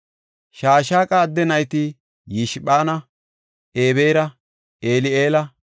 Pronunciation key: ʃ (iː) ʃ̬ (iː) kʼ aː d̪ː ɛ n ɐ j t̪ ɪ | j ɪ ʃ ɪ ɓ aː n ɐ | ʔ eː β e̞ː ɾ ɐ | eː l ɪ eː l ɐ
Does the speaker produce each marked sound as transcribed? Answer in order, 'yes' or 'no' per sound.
no, no

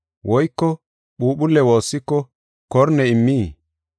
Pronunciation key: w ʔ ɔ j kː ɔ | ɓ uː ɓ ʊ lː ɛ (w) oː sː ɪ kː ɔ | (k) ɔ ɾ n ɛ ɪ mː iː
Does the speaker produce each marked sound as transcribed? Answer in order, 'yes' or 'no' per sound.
yes, yes

